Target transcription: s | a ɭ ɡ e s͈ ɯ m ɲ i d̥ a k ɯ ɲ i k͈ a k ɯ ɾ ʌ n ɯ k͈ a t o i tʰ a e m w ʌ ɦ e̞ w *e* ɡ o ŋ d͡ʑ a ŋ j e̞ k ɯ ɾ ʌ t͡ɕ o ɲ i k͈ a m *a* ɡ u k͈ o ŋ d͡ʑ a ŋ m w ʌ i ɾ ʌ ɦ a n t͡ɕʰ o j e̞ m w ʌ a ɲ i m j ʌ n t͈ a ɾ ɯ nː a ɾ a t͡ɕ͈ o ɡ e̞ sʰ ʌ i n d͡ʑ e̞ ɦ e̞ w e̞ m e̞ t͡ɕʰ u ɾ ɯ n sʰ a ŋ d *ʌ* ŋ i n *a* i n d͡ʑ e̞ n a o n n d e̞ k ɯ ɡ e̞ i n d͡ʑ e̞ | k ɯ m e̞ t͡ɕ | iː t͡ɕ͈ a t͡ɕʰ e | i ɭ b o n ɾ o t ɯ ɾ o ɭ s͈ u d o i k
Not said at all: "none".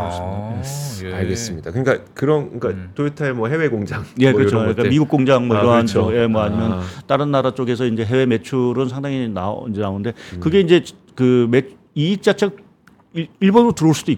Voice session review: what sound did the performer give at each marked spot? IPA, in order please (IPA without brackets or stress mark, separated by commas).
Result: e, i, a, a